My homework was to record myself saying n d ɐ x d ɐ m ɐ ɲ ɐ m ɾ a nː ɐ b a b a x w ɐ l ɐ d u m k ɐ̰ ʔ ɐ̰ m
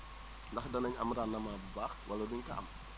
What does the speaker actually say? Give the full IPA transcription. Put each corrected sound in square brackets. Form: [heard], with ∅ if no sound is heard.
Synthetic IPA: n d ɐ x d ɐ [n] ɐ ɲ ɐ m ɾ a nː ɐ [m] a b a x w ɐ l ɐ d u [ɲ] k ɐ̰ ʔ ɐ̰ m